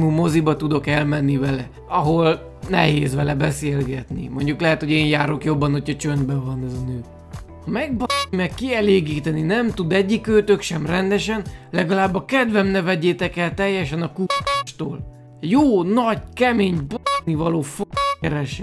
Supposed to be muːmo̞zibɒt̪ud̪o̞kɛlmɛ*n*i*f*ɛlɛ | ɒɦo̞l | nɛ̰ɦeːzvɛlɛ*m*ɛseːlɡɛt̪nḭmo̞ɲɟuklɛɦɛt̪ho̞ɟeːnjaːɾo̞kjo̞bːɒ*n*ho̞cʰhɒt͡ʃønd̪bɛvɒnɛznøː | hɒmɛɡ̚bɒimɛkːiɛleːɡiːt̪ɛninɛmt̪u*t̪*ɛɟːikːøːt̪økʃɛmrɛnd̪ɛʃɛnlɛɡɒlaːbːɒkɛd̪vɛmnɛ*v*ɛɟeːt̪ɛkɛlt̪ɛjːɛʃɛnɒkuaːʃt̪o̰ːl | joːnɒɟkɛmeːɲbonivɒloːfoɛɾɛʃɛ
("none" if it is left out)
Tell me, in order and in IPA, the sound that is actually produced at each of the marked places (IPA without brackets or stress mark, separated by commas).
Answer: nː, v, b, n, d̪, v